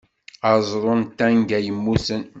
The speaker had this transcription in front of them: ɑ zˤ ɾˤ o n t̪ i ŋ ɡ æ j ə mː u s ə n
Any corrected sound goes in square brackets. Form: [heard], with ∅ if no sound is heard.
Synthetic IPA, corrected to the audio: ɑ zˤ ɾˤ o n t̪ [æ] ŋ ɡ æ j ə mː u s ə n